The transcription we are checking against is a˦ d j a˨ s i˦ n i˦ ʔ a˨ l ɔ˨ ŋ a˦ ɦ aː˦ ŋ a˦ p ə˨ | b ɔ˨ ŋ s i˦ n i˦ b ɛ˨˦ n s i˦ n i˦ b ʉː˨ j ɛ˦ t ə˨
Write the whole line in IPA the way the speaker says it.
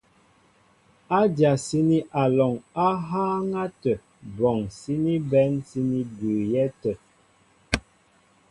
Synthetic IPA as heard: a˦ d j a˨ s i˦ n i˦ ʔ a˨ l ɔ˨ ŋ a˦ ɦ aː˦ ŋ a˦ t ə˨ | b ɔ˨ ŋ s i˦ n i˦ b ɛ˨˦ n s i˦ n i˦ b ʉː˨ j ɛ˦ t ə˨